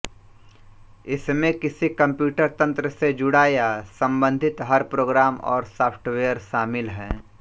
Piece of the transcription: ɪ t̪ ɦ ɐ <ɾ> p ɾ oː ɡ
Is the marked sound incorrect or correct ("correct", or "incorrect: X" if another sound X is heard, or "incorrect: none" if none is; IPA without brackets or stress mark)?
correct